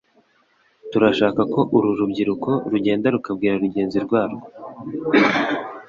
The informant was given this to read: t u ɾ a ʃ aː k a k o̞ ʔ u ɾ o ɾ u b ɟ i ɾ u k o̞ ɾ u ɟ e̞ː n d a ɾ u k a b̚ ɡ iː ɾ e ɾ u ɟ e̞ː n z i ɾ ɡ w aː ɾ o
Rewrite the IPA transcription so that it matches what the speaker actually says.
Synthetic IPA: t u ɾ a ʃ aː k a k o̞ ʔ u ɾ u ɾ u b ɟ i ɾ u k o̞ ɾ u ɟ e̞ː n d a ɾ u k a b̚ ɡ iː ɾ a ɾ u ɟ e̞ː n z i ɾ ɡ w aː ɾ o